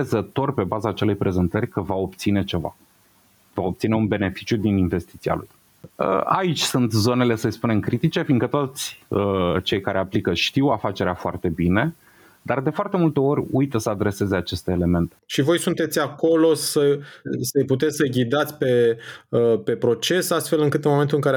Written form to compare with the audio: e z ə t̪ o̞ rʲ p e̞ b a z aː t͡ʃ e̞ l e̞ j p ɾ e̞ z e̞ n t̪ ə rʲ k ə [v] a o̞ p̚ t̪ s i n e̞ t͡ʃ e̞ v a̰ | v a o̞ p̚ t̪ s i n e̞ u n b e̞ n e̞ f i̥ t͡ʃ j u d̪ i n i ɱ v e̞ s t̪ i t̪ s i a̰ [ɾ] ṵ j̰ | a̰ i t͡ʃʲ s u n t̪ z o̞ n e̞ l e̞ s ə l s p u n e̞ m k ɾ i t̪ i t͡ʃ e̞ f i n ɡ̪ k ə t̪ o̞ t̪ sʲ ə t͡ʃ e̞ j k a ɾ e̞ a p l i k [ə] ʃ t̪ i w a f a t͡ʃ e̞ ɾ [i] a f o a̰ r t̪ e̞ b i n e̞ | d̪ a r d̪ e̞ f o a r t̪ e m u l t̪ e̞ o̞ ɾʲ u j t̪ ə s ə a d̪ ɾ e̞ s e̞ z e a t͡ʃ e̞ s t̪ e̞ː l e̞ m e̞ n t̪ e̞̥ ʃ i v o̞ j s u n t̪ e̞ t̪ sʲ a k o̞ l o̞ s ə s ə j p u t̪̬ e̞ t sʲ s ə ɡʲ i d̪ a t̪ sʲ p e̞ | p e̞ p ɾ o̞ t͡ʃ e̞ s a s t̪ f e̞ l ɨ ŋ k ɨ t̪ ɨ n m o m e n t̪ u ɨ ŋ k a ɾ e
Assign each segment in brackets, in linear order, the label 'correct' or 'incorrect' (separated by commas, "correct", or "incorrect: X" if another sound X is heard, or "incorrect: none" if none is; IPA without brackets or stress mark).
correct, incorrect: l, correct, incorrect: e